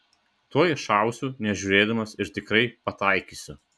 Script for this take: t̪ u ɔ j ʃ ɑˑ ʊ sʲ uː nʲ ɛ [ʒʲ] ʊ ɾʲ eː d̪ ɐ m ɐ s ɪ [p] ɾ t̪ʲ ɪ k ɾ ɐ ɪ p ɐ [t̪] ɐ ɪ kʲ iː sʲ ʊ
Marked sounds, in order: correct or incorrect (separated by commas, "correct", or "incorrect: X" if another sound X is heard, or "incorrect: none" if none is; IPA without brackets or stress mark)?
correct, incorrect: none, correct